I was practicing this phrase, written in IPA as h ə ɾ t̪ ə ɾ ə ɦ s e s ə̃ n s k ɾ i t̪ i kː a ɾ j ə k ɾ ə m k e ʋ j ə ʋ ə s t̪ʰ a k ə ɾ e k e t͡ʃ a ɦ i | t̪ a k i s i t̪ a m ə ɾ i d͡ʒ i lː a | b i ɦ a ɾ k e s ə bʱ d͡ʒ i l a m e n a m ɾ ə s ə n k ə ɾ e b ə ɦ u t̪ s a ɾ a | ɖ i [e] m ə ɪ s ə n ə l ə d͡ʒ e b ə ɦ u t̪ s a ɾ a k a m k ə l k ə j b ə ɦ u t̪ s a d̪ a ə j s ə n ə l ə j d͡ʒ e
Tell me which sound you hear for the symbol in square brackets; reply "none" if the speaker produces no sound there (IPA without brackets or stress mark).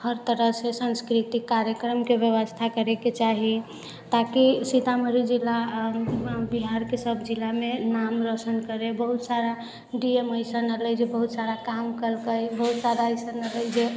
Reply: e